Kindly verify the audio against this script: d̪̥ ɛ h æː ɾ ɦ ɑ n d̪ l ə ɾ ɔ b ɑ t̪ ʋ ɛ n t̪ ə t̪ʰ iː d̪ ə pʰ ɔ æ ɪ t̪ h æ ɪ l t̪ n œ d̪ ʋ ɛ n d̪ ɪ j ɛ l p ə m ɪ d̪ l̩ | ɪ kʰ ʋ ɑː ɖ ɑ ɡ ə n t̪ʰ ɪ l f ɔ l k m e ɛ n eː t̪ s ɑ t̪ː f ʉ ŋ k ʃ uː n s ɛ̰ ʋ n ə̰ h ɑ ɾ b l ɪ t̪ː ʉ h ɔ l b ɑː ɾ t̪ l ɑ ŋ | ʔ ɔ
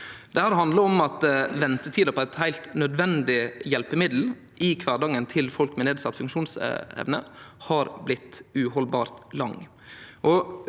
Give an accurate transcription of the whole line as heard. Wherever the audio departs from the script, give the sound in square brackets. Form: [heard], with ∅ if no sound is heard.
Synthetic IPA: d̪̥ ɛ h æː ɾ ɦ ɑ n d̪ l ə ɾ ɔ [m] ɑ t̪ ʋ ɛ n t̪ ə t̪ʰ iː d̪ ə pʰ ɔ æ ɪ t̪ h æ ɪ l t̪ n œ d̪ ʋ ɛ n d̪ ɪ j ɛ l p ə m ɪ d̪ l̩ | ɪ kʰ ʋ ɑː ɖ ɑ [ŋ] ə n t̪ʰ ɪ l f ɔ l k m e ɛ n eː [d̪] s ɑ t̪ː f ʉ ŋ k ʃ uː n s ɛ̰ ʋ n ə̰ h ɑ ɾ b l ɪ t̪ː ʉ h ɔ l b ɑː ɾ t̪ l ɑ ŋ | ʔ ɔ